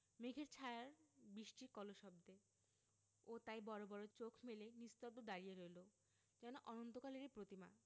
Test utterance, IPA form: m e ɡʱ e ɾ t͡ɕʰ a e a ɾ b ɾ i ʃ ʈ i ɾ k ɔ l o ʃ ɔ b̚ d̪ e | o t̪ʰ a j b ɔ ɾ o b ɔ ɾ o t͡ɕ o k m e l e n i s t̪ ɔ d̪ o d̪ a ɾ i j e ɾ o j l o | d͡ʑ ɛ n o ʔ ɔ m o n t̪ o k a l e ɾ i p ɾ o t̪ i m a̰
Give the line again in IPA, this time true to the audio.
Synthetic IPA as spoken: m e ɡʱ e ɾ t͡ɕʰ a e a ɾ b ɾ i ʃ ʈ i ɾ k ɔ l o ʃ ɔ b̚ d̪ e | o t̪ a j b ɔ ɾ o b ɔ ɾ o t͡ɕ o kʰ m e l e n i s t̪ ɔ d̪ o d̪ a ɾ i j e ɾ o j l o | d͡ʑ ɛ n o ʔ ɔ n o n t̪ o k a l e ɾ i p ɾ o t̪ i m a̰